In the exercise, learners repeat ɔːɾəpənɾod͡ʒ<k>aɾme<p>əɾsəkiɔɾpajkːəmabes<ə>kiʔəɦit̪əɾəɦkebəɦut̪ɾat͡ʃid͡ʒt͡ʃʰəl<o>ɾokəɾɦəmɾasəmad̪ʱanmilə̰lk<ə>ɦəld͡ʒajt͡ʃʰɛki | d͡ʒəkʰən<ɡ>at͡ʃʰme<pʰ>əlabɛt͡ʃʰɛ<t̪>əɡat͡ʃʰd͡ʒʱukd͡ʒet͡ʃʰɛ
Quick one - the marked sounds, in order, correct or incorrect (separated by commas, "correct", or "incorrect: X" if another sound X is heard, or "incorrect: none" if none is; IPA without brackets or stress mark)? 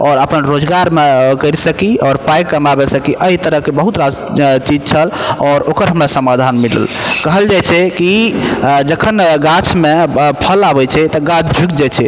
incorrect: ɡ, incorrect: k, correct, incorrect: ɔ, correct, correct, correct, correct